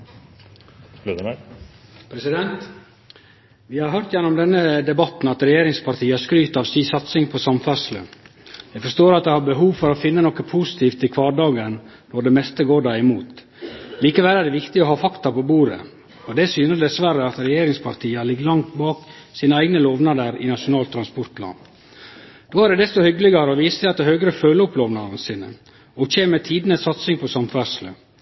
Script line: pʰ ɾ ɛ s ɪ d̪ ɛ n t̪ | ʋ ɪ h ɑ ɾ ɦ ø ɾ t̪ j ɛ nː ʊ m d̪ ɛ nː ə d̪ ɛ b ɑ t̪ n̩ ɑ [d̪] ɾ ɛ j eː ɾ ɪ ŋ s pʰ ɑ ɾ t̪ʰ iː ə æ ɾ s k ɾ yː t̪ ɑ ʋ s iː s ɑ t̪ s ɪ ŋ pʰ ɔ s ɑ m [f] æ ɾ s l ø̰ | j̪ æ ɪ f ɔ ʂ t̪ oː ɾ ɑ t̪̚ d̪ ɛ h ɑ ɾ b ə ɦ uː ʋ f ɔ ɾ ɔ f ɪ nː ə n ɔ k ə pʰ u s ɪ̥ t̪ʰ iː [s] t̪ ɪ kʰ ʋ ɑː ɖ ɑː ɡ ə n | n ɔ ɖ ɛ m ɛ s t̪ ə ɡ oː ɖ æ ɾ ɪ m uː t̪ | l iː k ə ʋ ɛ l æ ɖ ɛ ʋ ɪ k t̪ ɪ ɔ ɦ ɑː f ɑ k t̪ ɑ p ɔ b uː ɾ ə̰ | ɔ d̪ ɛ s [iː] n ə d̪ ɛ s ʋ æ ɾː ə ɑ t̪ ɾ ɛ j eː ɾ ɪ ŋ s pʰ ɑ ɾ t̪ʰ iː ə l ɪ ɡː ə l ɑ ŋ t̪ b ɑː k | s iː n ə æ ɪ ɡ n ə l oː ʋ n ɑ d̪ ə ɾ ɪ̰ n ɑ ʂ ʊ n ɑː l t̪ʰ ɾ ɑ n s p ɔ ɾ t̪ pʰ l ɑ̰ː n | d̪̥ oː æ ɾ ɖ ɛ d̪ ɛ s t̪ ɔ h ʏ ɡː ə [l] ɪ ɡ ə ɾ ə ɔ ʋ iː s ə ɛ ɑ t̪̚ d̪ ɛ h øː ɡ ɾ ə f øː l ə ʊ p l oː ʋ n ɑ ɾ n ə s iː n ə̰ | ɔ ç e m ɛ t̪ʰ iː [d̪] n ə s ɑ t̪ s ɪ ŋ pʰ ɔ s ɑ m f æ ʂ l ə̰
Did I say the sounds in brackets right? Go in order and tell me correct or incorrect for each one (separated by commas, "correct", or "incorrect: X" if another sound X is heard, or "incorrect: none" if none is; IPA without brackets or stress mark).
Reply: incorrect: t̪, correct, incorrect: f, incorrect: yː, correct, correct